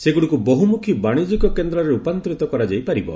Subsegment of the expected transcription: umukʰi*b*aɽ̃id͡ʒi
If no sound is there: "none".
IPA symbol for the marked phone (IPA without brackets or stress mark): b